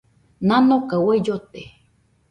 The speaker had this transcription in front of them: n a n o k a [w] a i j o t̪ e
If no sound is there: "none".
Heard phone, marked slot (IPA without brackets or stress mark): w